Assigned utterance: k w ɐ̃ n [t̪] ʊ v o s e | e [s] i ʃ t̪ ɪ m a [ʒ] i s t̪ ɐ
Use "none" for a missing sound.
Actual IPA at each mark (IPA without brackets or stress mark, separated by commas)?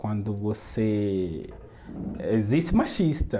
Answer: d̪, z, ʃ